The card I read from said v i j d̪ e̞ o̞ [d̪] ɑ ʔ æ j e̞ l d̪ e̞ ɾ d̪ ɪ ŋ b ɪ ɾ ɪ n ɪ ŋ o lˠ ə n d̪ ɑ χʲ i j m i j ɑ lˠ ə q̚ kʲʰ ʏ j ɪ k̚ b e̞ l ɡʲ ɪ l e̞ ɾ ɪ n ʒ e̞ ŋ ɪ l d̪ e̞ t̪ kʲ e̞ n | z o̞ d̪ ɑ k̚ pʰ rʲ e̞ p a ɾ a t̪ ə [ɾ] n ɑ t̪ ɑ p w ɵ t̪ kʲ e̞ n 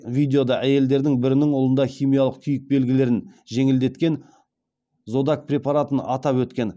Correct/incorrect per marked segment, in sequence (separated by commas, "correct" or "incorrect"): correct, incorrect